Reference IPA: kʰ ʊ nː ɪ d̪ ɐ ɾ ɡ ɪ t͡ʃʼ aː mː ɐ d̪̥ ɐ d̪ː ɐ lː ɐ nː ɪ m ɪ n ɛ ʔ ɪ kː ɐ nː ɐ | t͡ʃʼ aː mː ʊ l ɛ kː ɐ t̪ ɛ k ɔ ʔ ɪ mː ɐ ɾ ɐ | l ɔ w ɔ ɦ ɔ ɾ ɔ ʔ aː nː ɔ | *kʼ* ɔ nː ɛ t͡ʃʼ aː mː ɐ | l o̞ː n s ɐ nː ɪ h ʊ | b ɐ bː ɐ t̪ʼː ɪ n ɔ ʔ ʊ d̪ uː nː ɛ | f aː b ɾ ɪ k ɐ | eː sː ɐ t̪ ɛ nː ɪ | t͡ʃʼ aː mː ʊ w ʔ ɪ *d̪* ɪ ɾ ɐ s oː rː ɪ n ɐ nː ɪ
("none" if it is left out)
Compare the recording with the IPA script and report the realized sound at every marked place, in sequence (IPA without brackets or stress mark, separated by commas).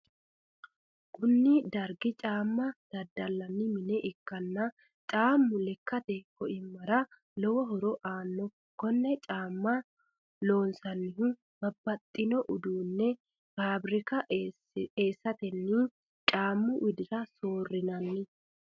k, d̪